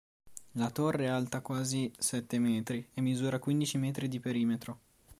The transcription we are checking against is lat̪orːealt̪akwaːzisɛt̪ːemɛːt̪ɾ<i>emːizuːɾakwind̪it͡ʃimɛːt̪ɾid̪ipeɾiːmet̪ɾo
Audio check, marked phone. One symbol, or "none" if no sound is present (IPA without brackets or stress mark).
i